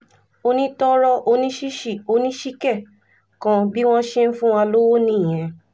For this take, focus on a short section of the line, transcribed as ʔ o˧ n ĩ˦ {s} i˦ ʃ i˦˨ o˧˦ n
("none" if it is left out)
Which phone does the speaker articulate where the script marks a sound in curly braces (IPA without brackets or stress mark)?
ʃ